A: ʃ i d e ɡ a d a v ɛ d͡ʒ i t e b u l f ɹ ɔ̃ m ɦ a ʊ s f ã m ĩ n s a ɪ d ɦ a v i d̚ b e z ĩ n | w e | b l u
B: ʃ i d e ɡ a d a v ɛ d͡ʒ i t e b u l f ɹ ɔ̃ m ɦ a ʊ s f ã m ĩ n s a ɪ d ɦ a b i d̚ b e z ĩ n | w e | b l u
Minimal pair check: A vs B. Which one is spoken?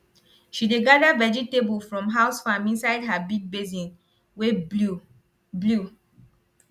B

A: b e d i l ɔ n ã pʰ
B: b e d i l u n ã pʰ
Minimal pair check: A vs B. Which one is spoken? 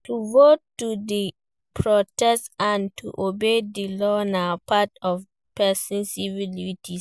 A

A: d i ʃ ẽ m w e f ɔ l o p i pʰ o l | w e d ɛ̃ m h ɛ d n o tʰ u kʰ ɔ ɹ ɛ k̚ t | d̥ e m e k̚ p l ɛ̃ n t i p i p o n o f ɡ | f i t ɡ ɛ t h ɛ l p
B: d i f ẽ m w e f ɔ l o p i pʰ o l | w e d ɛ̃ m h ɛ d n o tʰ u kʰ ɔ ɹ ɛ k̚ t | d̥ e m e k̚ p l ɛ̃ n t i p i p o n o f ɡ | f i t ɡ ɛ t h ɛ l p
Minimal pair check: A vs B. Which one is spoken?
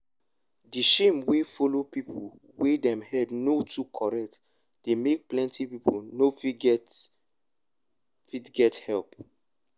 A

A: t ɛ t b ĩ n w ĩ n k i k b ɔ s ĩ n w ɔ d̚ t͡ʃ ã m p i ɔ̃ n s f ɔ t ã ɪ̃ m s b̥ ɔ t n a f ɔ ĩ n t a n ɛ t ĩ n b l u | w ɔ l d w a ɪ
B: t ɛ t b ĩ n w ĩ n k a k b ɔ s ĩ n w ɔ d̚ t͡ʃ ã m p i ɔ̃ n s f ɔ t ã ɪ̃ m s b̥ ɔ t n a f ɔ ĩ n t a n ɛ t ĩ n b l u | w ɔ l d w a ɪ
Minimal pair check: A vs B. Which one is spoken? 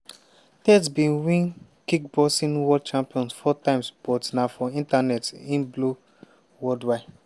A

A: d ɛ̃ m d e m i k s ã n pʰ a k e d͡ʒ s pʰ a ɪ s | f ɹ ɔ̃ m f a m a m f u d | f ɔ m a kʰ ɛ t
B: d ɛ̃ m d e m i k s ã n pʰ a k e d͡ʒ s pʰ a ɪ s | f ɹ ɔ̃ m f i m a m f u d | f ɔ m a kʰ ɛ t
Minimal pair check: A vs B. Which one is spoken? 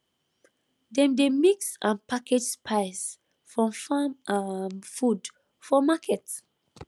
A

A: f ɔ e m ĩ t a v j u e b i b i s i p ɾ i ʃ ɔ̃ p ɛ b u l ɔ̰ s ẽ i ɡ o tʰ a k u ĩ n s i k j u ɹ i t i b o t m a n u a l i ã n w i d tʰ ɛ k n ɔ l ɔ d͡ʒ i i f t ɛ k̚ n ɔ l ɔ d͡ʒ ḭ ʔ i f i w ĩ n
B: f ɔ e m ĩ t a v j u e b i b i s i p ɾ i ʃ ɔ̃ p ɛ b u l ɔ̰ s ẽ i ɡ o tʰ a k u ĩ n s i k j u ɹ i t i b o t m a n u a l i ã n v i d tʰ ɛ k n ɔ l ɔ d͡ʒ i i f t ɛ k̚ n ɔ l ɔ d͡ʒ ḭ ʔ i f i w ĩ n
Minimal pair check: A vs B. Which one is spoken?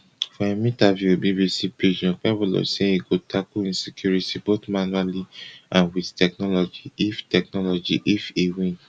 A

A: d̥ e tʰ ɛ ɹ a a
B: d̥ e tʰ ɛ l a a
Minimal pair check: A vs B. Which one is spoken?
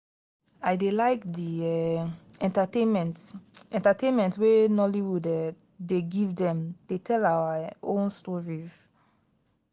B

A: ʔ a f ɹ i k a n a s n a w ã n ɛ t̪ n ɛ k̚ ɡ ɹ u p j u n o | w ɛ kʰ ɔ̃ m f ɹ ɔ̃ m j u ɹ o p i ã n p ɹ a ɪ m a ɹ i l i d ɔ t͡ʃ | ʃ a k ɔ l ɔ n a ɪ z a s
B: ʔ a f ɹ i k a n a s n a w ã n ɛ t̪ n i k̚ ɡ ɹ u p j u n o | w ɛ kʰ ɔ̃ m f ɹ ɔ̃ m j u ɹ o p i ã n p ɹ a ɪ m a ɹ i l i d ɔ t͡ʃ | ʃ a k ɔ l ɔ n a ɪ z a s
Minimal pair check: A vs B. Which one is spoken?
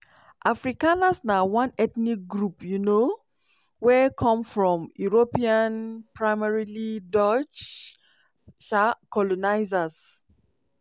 B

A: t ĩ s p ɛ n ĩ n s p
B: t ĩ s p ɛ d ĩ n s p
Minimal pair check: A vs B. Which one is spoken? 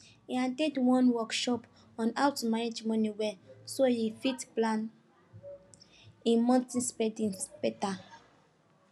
B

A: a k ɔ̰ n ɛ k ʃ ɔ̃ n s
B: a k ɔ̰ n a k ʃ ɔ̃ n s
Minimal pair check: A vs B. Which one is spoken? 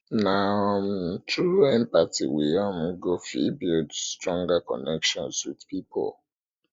A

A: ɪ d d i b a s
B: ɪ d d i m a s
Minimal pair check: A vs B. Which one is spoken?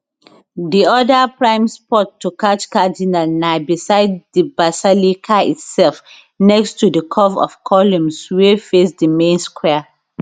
A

